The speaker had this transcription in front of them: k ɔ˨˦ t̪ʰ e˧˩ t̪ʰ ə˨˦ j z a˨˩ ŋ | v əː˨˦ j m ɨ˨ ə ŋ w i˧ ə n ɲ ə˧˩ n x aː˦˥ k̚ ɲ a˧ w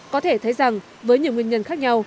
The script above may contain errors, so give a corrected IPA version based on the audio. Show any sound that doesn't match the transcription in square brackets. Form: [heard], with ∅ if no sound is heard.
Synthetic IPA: k ɔ˨˦ t̪ʰ e˧˩ t̪ʰ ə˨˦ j z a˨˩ ŋ | v əː˨˦ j [ɲ] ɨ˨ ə ŋ w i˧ ə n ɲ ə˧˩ n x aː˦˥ k̚ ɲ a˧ w